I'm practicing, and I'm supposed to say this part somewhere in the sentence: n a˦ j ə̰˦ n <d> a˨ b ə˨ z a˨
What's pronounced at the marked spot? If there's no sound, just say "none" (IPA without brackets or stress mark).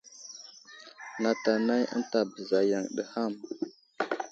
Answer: t